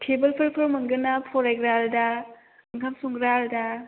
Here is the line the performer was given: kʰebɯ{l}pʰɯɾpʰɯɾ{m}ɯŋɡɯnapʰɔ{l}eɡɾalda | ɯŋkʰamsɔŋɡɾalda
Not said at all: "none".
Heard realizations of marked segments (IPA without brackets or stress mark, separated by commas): l, m, ɾ